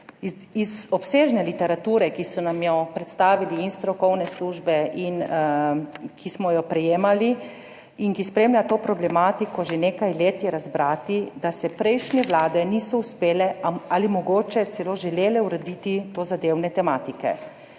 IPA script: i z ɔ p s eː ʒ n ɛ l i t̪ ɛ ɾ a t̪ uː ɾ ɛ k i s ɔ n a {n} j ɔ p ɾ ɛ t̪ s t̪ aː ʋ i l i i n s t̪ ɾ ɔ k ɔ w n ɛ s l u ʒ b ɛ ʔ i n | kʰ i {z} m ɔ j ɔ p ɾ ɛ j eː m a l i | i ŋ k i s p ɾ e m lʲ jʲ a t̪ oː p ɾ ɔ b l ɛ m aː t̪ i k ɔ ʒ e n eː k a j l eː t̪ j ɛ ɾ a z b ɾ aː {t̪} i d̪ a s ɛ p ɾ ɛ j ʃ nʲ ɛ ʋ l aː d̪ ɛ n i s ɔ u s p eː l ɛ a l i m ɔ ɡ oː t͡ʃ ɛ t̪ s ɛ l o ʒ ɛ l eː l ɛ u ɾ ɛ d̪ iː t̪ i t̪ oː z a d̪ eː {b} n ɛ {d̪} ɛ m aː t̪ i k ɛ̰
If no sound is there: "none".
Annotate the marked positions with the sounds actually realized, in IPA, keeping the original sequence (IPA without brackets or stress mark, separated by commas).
m, s, t̪, w, t̪